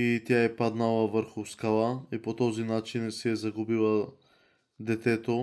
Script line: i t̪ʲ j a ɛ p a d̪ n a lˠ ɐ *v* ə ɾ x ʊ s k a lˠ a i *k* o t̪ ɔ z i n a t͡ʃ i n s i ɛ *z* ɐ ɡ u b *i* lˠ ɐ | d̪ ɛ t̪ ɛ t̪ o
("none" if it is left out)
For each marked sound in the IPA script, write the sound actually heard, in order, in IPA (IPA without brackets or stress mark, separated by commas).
v, p, z, i